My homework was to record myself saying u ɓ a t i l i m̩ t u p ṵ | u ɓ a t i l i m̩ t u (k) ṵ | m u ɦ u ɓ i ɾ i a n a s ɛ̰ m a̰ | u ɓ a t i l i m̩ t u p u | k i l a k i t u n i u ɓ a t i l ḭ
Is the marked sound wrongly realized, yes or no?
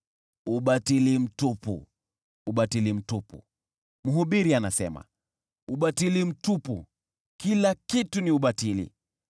yes